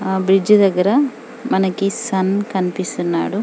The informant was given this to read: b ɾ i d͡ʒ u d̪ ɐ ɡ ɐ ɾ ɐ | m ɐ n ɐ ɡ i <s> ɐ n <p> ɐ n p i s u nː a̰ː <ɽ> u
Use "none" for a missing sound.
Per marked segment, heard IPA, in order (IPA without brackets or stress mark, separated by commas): s, k, ɽ